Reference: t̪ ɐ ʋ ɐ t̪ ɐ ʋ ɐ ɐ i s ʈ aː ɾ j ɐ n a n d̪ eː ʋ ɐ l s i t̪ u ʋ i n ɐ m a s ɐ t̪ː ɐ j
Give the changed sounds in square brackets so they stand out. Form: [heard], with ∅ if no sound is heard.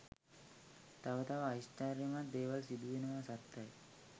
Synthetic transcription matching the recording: t̪ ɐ ʋ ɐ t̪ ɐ ʋ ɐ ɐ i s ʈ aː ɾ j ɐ [m] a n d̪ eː ʋ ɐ l s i [d̪] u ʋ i n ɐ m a s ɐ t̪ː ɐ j